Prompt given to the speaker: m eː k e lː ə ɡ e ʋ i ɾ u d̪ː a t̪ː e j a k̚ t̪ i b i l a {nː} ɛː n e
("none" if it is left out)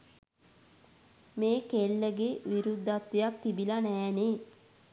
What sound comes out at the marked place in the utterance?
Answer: n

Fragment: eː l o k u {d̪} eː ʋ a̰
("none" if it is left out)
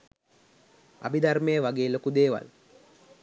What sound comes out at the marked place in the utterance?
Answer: d̪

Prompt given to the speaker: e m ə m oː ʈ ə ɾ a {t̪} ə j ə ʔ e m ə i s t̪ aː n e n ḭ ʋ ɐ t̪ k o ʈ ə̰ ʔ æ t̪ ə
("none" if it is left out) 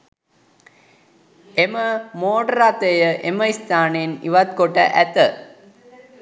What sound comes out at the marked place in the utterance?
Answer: t̪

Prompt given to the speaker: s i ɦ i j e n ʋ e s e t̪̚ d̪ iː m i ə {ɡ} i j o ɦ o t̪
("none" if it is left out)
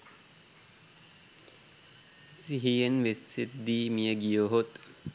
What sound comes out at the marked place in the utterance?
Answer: ɡ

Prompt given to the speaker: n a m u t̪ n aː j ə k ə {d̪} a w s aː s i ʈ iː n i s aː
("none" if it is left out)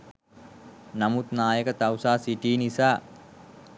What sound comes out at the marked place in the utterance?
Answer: t̪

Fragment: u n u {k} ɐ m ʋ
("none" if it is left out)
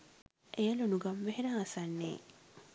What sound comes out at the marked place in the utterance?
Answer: ɡ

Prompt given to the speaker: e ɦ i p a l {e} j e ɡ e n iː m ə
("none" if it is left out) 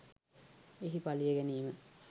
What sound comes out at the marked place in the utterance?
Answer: i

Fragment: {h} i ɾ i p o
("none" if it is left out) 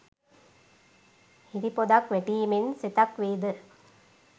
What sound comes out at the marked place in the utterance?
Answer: h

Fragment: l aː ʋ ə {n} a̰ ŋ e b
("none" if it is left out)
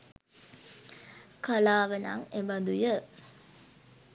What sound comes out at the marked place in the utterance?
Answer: n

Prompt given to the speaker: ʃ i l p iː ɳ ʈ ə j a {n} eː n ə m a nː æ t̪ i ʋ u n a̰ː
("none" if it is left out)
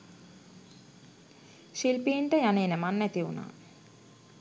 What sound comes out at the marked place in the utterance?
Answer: n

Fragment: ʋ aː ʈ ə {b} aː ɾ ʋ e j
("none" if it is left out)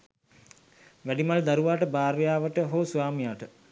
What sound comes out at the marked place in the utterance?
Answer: b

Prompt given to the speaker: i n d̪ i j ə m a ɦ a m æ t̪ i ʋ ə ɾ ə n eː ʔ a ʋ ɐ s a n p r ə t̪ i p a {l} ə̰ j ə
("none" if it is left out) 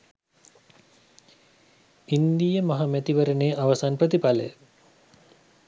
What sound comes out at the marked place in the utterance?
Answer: l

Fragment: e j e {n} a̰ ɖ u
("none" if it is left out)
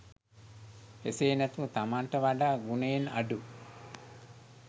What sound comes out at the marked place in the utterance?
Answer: n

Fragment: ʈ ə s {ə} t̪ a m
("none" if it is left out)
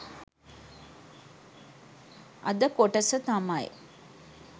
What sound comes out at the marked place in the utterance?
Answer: ə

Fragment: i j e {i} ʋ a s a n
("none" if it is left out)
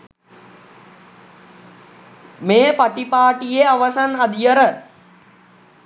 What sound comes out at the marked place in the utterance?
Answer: a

